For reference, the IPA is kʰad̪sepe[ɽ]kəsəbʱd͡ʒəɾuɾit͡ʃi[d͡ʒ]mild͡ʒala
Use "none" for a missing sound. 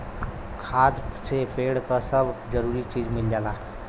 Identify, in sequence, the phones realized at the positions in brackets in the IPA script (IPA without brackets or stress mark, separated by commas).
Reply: ɽ, d͡ʒ